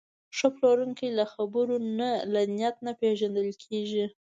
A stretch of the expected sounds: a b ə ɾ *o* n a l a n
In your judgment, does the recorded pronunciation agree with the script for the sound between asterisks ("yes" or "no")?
yes